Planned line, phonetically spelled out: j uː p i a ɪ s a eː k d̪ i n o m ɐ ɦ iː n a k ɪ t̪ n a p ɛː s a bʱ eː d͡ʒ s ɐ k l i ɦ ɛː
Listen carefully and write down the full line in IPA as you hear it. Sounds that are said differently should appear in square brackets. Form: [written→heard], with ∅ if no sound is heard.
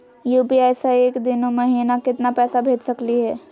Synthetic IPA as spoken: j uː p i a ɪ s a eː k d̪ [i→ɪ] n o m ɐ ɦ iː n a k ɪ t̪ n a p ɛː s a bʱ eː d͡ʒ s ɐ k l i ɦ ɛː